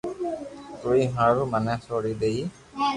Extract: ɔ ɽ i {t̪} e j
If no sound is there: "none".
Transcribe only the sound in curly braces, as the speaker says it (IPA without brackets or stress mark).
d̪